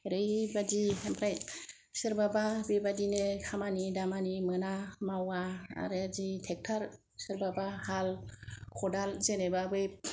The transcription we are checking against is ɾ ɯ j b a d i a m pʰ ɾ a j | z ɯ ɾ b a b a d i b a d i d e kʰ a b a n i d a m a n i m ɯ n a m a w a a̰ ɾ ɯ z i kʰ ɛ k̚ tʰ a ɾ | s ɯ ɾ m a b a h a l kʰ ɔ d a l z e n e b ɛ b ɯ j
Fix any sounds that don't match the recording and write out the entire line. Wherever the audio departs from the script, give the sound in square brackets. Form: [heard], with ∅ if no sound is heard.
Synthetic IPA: ɾ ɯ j b a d i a m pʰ ɾ a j | [s] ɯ ɾ b a b a [b] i b a d i [n] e kʰ a [m] a n i d a m a n i m ɯ n a m a w a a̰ ɾ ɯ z i [tʰ] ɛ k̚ tʰ a ɾ | s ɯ ɾ [b] a b a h a l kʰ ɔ d a l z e n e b [a] b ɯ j

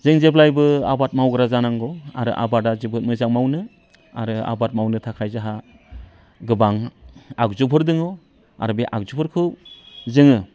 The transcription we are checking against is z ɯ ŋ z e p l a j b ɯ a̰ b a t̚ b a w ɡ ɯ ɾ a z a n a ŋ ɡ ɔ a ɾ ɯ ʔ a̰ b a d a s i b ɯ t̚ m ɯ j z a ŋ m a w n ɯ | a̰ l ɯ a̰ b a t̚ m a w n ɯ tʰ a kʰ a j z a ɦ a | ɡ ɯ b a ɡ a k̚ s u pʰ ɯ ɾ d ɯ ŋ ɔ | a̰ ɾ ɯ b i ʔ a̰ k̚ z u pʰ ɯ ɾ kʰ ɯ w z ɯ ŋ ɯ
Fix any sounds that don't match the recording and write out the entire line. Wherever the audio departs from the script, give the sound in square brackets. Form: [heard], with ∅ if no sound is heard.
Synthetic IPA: z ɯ ŋ z e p l a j b ɯ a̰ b a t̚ [m] a w ɡ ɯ ɾ a z a n a ŋ ɡ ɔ a ɾ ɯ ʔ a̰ b a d a [z] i b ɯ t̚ m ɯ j z a ŋ m a w n ɯ | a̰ [ɾ] ɯ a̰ b a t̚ m a w n ɯ tʰ a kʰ a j z a ɦ a | ɡ ɯ b a [ŋ] a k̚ [z] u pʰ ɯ ɾ d ɯ ŋ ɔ | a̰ ɾ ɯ b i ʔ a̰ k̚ z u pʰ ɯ ɾ kʰ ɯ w z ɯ ŋ ɯ

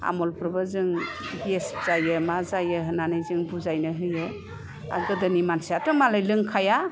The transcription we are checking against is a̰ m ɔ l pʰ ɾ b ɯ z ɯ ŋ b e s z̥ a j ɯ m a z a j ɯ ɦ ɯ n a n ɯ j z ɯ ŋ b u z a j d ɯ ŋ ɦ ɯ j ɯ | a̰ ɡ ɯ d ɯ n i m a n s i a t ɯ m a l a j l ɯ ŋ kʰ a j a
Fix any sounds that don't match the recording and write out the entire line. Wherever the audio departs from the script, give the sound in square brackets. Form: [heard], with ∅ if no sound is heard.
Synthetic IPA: a̰ m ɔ l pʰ ɾ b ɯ z ɯ ŋ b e s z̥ a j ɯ m a z a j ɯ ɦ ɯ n a n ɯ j z ɯ ŋ b u z a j [n] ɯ [∅] ɦ ɯ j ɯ | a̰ ɡ ɯ d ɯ n i m a n s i a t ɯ m a l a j l ɯ ŋ kʰ a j a

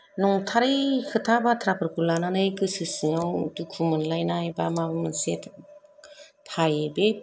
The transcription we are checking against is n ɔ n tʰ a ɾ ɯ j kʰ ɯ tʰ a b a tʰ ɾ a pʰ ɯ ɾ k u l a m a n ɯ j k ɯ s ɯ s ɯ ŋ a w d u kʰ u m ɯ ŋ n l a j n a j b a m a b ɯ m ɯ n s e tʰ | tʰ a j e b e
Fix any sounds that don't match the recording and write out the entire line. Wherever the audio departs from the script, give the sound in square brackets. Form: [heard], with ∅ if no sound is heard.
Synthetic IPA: n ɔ [ŋ] tʰ a ɾ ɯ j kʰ ɯ tʰ a b a tʰ ɾ a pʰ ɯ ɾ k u l a [n] a n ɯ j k ɯ s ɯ s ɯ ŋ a w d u kʰ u m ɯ [∅] n l a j n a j b a m a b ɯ m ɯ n s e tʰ | tʰ a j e b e

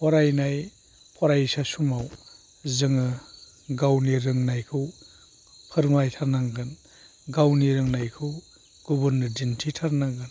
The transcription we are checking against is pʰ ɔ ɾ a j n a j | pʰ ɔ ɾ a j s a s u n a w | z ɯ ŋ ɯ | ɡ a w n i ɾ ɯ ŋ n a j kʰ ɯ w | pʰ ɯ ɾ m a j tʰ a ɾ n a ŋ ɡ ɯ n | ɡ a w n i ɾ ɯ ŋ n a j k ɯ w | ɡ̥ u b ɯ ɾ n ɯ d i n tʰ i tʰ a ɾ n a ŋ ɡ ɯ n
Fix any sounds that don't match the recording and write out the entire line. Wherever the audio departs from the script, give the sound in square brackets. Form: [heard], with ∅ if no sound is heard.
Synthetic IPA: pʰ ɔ ɾ a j n a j | pʰ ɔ ɾ a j s a s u [m] a w | z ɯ ŋ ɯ | ɡ a w n i ɾ ɯ ŋ n a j kʰ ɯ w | pʰ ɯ ɾ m a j tʰ a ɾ n a ŋ ɡ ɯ n | ɡ a w n i ɾ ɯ ŋ n a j [kʰ] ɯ w | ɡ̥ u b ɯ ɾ n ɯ d i n tʰ i tʰ a ɾ n a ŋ ɡ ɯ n

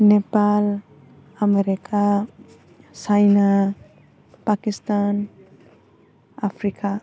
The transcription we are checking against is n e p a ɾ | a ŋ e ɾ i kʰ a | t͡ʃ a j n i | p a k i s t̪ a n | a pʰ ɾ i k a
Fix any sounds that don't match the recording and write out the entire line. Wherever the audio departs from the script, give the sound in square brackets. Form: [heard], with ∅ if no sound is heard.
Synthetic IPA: n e p a [l] | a [m] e ɾ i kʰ a | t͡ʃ a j n [a] | p a k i s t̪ a n | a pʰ ɾ i k a

